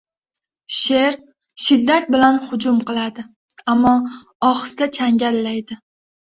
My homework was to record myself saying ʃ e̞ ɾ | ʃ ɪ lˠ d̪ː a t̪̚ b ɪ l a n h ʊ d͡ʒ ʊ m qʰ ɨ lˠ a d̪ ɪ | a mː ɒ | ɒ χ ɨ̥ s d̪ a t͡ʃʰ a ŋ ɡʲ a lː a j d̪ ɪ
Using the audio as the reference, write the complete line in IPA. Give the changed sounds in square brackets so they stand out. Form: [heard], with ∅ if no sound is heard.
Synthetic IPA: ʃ e̞ ɾ | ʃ ɪ [∅] d̪ː a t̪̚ b ɪ l a n h ʊ d͡ʒ ʊ m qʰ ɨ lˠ a d̪ ɪ | a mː ɒ | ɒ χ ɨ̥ s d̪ a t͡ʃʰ a ŋ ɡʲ a lː a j d̪ ɪ